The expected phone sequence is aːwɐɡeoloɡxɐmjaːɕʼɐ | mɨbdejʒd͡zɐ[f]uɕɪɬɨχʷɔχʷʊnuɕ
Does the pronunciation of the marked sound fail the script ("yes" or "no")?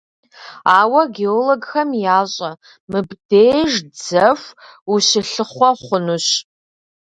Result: no